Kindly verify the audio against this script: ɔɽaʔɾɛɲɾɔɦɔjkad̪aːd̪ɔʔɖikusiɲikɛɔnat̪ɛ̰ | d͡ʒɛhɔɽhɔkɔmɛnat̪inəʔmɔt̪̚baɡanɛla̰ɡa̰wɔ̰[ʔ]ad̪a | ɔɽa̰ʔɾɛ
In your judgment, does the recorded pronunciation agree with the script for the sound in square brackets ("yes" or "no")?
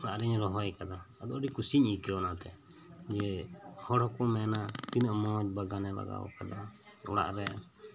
no